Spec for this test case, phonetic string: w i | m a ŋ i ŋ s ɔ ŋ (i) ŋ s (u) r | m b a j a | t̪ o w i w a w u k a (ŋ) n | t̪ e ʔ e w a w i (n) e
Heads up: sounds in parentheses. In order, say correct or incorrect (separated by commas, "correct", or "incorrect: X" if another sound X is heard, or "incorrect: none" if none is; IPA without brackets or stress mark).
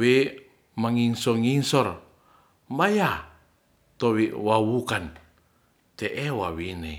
correct, incorrect: ɔ, incorrect: none, correct